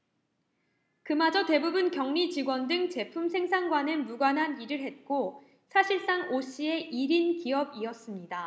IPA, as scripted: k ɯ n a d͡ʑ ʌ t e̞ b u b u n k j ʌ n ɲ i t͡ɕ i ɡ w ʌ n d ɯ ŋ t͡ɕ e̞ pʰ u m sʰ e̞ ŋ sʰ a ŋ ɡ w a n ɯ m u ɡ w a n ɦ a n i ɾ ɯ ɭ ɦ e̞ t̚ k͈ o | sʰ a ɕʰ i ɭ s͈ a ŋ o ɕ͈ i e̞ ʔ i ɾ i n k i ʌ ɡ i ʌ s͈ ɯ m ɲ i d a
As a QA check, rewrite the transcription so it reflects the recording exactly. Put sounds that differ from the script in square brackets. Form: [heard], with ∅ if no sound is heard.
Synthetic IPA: k ɯ [m] a d͡ʑ ʌ t e̞ b u b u n k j ʌ [ŋ] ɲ i t͡ɕ i ɡ w ʌ n d ɯ ŋ t͡ɕ e̞ pʰ u m sʰ e̞ ŋ sʰ a ŋ ɡ w a n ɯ m u ɡ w a n ɦ a n i ɾ ɯ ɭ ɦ e̞ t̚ k͈ o | sʰ a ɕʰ i ɭ s͈ a ŋ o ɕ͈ i e̞ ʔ i ɾ i n k i ʌ [b] i ʌ s͈ ɯ m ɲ i d a